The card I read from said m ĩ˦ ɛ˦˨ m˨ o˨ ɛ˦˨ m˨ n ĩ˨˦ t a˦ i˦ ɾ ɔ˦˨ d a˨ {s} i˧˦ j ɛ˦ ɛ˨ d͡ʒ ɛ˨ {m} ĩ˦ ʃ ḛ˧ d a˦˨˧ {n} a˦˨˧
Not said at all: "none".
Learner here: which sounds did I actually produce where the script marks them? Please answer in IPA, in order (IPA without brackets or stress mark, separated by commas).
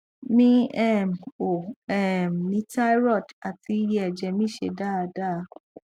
t, m, d